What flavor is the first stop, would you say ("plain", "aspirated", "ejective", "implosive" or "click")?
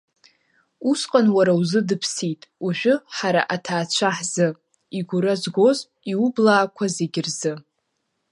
ejective